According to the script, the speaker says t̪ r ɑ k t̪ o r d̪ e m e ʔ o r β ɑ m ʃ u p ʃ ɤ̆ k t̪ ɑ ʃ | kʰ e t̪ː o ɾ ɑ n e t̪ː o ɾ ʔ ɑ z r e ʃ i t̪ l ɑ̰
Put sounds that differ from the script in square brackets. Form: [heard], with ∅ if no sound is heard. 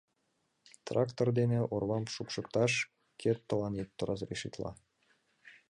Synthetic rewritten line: t̪ r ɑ k t̪ o r d̪ e [n] e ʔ o r β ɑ m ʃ u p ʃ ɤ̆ k t̪ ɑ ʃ | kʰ e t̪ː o [l] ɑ n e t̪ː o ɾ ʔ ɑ z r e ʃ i t̪ l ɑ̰